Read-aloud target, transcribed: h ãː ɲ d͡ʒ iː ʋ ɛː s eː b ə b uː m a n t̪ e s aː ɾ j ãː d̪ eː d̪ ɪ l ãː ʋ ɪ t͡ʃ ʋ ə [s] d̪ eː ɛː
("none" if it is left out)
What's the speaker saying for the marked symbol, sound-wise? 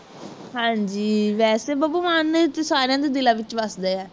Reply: s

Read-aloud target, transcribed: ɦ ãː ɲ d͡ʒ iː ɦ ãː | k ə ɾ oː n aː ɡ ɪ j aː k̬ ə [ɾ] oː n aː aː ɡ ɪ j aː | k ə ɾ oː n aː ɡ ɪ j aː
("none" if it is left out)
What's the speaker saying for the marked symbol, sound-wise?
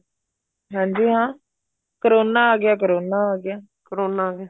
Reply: ɾ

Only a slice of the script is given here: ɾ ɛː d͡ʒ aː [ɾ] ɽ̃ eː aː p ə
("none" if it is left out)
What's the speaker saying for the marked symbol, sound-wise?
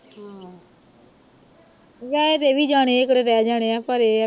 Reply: none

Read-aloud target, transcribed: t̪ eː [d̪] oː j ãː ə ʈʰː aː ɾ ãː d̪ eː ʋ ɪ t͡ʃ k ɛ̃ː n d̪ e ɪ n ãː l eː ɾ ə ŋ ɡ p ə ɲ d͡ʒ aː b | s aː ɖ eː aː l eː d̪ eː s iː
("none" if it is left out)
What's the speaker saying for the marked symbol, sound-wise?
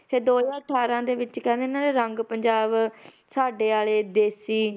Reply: d̪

